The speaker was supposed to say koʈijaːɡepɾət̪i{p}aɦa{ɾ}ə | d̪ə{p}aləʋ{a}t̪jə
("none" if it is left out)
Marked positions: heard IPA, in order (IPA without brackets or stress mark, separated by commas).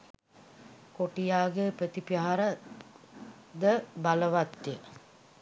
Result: p, ɾ, b, a